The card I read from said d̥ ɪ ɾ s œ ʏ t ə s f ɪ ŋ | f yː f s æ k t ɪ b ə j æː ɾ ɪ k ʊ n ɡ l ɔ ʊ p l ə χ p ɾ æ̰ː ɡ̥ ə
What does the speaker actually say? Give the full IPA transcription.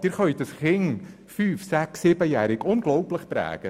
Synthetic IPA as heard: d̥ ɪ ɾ χ œ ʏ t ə s χ ɪ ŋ | f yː f s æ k s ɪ b ə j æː ɾ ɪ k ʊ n ɡ l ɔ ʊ p l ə χ p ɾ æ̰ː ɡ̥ ə